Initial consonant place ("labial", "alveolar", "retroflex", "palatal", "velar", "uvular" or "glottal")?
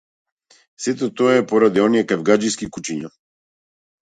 alveolar